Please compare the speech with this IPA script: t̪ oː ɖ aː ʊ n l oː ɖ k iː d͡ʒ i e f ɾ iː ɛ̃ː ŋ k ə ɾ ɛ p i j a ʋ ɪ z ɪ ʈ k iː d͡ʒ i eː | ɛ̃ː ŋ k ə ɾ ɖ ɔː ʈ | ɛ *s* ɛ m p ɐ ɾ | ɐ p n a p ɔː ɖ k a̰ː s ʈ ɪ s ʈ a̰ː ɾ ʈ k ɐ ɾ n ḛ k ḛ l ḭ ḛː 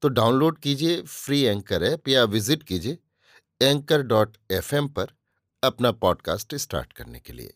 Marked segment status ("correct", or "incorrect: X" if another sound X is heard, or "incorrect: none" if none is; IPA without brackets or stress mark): incorrect: f